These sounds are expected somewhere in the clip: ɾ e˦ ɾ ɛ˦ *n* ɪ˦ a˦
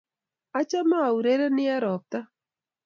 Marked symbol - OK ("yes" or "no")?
yes